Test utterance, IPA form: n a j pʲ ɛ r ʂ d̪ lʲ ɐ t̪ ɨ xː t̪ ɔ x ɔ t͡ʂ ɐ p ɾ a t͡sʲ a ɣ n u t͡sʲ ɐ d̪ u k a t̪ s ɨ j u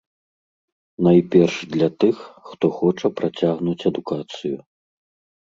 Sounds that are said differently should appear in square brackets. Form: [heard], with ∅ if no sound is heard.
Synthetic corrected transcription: n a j pʲ ɛ r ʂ d̪ lʲ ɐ t̪ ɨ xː t̪ ɔ x ɔ t͡ʂ ɐ p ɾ a t͡sʲ a ɣ n u t͡sʲ ɐ d̪ u k a t̪ s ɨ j u